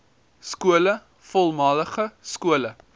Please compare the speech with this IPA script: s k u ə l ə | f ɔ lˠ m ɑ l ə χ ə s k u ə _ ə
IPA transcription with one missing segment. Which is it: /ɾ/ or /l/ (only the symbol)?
l